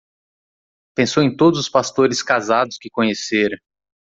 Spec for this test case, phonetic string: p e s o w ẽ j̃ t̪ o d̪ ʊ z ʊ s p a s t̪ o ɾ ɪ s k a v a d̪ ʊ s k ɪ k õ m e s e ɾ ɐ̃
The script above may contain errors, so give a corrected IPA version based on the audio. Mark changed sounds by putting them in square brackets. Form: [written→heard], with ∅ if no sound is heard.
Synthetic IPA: p [e→ẽ] s o w ẽ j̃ t̪ o d̪ ʊ z ʊ s p a s t̪ o ɾ ɪ s k a [v→z] a d̪ ʊ s k ɪ k õ [m→ɲ] e s e ɾ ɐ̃